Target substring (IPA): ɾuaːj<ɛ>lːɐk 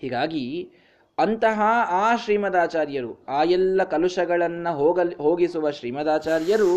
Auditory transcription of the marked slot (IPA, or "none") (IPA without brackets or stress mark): ɛ